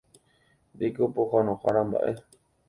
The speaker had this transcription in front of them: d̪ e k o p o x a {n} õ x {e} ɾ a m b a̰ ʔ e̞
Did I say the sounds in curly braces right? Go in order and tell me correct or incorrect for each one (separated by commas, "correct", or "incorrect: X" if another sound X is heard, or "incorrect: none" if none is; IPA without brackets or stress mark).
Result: correct, incorrect: a